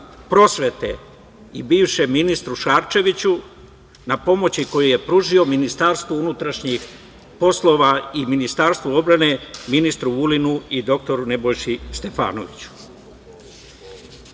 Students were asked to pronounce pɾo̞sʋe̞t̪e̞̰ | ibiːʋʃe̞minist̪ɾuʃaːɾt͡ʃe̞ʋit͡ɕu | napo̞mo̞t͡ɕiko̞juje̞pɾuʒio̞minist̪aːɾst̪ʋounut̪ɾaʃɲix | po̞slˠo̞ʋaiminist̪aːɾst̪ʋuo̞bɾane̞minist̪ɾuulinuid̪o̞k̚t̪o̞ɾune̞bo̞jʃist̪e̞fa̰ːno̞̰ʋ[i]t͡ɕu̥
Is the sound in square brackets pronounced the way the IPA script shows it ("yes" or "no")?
yes